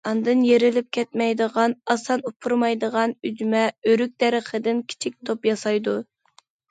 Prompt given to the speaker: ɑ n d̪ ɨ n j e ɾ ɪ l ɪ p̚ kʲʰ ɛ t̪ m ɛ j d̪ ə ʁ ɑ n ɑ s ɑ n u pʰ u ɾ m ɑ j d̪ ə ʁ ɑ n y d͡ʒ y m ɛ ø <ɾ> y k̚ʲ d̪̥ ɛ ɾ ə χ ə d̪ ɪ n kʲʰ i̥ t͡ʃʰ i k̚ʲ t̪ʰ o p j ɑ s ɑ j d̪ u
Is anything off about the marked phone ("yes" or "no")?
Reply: no